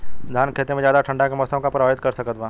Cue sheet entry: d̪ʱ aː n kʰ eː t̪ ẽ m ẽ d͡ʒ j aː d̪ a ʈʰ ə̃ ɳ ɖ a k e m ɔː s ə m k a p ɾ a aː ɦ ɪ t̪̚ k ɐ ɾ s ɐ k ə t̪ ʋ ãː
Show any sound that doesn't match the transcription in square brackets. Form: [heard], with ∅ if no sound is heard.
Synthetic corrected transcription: d̪ʱ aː n kʰ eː t̪ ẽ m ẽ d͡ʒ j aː d̪ a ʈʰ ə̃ ɳ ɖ a k e m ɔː s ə m k a p ɾ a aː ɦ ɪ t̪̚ k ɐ ɾ s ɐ k ə t̪ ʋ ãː